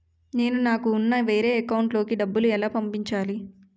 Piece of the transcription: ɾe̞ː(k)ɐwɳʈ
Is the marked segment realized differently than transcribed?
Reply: no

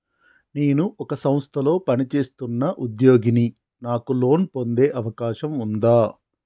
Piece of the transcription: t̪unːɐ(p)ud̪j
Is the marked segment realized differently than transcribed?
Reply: yes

